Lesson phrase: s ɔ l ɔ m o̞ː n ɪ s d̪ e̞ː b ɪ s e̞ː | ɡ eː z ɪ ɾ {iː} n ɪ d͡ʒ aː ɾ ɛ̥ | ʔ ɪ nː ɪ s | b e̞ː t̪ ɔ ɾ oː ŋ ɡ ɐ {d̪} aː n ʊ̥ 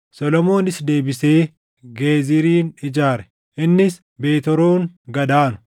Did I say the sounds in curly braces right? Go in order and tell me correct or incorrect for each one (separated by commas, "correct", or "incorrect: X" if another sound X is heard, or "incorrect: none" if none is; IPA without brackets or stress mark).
correct, correct